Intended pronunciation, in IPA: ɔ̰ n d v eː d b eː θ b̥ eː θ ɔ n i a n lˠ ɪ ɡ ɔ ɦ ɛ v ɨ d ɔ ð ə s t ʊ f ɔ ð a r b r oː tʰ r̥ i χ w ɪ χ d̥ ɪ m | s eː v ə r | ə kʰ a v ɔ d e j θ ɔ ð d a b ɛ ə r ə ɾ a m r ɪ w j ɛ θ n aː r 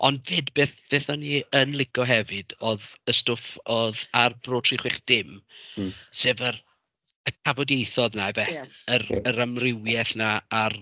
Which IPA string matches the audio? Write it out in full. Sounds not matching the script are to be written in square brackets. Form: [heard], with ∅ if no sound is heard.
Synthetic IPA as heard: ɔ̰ n d v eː d b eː θ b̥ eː θ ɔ n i [ə] n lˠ ɪ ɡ ɔ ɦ ɛ v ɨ d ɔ ð ə s t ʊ f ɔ ð a r b r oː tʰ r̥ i χ w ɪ χ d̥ ɪ m | s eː v ə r | ə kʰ a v ɔ d e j θ ɔ ð [n] a [v] ɛ ə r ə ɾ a m r ɪ w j ɛ θ n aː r